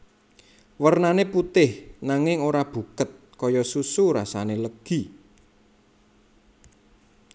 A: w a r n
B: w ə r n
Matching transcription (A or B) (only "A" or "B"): B